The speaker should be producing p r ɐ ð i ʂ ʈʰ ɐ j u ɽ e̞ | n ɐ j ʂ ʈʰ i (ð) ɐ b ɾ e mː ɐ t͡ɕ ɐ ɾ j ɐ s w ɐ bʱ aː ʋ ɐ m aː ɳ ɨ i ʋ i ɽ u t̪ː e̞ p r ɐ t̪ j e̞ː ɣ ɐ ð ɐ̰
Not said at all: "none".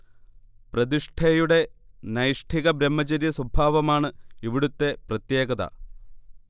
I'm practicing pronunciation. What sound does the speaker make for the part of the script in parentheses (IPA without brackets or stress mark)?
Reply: ɣ